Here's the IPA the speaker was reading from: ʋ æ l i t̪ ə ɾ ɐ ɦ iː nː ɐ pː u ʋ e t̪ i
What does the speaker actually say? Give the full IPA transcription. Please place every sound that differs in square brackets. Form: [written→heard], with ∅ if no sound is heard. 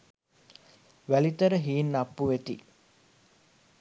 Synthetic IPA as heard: ʋ æ l i t̪ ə ɾ [ɐ→ə] ɦ iː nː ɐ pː u ʋ e t̪ i